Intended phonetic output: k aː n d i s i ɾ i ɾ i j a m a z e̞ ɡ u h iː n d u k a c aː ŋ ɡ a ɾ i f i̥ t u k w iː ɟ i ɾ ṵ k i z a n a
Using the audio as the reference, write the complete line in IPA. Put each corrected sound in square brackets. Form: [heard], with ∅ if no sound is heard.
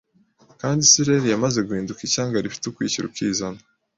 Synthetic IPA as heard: k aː n d i s i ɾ [e] ɾ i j a m a z e̞ ɡ u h iː n d u k [i] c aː ŋ ɡ a ɾ i f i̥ t u k w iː [c] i ɾ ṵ k i z a n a